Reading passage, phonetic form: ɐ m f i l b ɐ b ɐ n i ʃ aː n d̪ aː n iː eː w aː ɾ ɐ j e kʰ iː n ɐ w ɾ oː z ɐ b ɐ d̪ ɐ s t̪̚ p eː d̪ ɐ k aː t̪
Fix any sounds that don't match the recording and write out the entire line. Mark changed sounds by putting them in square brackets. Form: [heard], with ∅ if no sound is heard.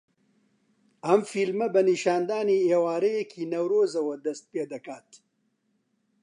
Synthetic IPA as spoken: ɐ m f i l [m] ɐ b ɐ n i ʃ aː n d̪ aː n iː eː w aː ɾ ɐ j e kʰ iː n ɐ w ɾ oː z ɐ [w] ɐ d̪ ɐ s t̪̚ p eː d̪ ɐ k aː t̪